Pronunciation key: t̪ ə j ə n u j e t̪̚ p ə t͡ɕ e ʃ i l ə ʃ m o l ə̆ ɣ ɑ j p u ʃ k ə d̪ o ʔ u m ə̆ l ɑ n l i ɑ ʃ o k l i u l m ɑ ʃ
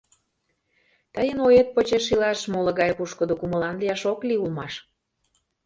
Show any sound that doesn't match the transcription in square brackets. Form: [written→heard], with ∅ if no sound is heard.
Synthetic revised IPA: t̪ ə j ə n [u→o] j e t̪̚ p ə t͡ɕ e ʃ i l [ə→ɑ] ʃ m o l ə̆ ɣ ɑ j p u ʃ k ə d̪ o [ʔ→k] u m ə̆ l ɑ n l i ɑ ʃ o k l i u l m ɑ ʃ